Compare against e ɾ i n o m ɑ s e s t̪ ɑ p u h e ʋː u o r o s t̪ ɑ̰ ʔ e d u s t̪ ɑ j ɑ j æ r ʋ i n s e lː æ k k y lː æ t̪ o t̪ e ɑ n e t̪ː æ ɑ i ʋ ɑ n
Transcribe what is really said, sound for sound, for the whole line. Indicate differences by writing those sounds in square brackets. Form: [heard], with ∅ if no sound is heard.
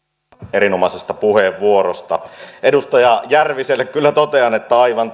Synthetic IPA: e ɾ i n o m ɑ s e s t̪ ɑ p u h e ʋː u o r o s t̪ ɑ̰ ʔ e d u s t̪ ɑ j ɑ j æ r ʋ i [∅] s e lː [e] k k y lː æ t̪ o t̪ e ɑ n e t̪ː æ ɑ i ʋ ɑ n

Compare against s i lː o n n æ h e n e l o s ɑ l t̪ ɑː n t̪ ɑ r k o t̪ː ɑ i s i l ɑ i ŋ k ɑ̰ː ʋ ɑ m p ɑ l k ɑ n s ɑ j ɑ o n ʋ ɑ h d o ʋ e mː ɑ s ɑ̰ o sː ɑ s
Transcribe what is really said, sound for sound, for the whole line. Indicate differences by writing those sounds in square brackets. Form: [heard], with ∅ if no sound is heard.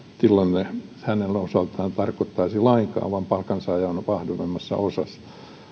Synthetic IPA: s i lː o n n [e] h [æ] n e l o s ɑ l t̪ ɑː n t̪ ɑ r k o t̪ː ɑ i s i l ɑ i ŋ k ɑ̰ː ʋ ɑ m p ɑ l k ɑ n s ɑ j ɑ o n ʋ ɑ h d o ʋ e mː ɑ [sː] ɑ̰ o [s] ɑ s

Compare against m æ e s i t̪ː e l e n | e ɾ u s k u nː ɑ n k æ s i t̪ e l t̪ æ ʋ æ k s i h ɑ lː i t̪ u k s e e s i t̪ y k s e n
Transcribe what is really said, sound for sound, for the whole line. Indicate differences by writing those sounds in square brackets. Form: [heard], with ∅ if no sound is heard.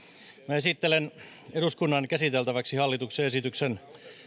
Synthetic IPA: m æ e s i t̪ː e l e n | e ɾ u s k u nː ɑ n k æ s i t̪ e l t̪ æ ʋ æ k s i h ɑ lː i t̪ u k s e e s i t̪ y k s e n

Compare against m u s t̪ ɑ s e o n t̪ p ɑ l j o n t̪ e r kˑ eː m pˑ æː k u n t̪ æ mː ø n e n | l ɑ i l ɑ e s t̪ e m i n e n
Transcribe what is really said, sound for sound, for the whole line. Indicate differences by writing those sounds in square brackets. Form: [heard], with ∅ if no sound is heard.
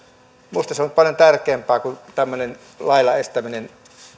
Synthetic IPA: m u s t̪ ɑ s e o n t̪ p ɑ l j o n t̪ [æ] r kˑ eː m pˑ æː k u n t̪ æ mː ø n e n | l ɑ i l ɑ e s t̪ [æ] m i n e n

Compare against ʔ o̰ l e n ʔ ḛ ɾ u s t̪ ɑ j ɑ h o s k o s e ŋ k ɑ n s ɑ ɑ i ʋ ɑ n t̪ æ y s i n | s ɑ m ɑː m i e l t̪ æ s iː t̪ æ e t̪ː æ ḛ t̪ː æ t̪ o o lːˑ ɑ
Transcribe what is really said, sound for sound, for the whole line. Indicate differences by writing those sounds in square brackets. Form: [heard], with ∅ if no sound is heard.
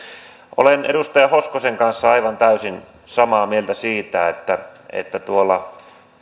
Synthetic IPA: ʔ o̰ l e n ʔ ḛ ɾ u s t̪ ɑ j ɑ h o s k o s e ŋ k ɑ n [sː] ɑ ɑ i ʋ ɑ n t̪ æ y s i n | s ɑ m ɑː m i e l t̪ æ s iː t̪ æ e t̪ː æ ḛ t̪ː æ t̪ [u] o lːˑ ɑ

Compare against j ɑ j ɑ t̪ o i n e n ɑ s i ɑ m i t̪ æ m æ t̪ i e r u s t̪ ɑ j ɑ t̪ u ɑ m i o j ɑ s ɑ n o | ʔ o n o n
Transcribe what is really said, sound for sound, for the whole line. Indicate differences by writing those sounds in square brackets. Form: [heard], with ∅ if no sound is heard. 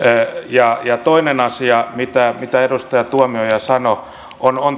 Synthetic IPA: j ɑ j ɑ t̪ o i n e n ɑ s i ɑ m i t̪ æ m [i] t̪ [æ] e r u s t̪ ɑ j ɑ t̪ u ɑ m i o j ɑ s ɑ n o | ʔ o n o n

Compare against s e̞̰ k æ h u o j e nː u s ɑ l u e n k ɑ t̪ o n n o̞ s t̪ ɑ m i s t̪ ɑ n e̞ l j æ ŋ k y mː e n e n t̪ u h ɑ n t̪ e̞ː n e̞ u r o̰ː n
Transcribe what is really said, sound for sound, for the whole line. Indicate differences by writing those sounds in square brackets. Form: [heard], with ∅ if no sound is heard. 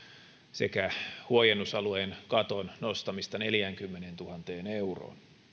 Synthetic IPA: s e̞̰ k æ h u o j e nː u s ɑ l u e n k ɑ t̪ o n n o̞ s t̪ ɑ m i s t̪ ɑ n e̞ l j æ ŋ k y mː e n e n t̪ u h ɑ n t̪ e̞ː n e̞ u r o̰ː n

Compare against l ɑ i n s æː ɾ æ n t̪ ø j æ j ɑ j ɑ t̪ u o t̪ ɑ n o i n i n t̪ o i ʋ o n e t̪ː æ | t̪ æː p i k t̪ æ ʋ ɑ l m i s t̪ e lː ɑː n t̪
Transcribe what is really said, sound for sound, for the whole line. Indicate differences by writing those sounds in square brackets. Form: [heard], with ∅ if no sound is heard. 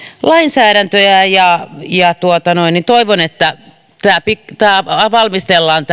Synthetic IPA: l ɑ i n s æː ɾ æ n t̪ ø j æ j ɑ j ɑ t̪ u o t̪ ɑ n o i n i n t̪ o i ʋ o n e t̪ː æ | t̪ æː p i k t̪ [æː] ʋ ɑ l m i s t̪ e lː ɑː n t̪

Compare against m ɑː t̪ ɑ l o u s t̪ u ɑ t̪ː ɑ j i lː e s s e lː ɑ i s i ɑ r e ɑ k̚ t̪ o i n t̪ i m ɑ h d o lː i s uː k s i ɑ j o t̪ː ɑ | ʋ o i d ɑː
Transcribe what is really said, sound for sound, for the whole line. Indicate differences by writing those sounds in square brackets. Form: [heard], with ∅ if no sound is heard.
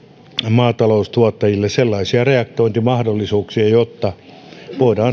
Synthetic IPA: m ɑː t̪ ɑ l o u s t̪ u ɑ t̪ː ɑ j i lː e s s e lː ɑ i s i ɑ r e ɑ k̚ t̪ o i n t̪ i m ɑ h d o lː i s uː k s i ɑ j o t̪ː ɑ | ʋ o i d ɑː

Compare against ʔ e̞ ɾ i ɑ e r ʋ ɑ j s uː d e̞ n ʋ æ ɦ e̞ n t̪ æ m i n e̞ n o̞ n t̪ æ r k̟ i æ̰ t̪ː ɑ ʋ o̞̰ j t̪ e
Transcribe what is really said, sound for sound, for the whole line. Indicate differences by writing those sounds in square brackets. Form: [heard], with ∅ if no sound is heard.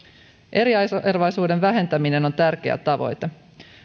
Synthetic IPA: ʔ e̞ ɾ i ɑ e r ʋ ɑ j s uː d e̞ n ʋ æ ɦ e̞ n t̪ æ m i n e̞ n o̞ n t̪ æ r k̟ [e] æ̰ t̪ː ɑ ʋ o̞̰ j t̪ e

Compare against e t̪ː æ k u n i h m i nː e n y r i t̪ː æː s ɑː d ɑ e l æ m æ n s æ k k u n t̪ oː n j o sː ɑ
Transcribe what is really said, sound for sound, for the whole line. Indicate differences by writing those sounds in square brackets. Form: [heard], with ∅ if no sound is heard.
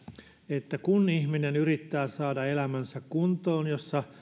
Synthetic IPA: e t̪ː æ k u n i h m i [n] e n y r i t̪ː æː s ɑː d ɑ e l æ m æ n s æ k k u n t̪ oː n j o sː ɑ

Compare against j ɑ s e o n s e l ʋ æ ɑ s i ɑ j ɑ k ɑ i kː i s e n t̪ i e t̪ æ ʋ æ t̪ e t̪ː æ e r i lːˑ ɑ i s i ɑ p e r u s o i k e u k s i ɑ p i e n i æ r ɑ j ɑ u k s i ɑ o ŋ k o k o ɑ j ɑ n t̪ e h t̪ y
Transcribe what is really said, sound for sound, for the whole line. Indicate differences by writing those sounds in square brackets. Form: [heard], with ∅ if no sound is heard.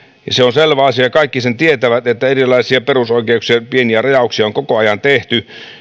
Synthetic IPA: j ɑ s e o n s e l ʋ æ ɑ s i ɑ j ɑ k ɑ i kː i s e n t̪ i e t̪ æ ʋ æ t̪ e t̪ː æ e r i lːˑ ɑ i s i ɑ p e r u s o i k e u k s i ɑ p i e n i æ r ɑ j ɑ u k s i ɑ o ŋ k o k o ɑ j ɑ n t̪ e h t̪ y

